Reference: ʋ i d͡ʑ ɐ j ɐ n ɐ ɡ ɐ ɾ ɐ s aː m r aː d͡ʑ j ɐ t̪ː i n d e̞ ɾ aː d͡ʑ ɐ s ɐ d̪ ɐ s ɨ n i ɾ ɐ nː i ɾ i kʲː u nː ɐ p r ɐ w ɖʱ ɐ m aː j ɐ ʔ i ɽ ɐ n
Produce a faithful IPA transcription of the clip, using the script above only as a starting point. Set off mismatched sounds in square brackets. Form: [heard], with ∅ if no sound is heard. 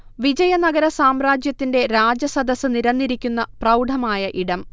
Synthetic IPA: ʋ i d͡ʑ ɐ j ɐ n ɐ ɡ ɐ ɾ ɐ s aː m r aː d͡ʑ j ɐ t̪ː i n d e̞ ɾ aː d͡ʑ ɐ s ɐ d̪ ɐ s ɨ n i ɾ ɐ nː i ɾ i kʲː u nː ɐ p r ɐ w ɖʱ ɐ m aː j ɐ ʔ i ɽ ɐ [m]